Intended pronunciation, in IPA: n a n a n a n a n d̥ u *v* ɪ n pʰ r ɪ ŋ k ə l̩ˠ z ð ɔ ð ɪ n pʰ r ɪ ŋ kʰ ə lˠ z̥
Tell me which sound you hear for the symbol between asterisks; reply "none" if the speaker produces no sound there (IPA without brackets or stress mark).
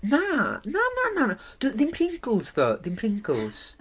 ð